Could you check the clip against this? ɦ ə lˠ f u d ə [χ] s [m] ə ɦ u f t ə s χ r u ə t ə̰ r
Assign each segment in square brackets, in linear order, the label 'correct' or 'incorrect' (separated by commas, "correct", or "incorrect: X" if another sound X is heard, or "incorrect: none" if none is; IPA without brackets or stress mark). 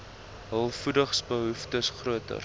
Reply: correct, incorrect: b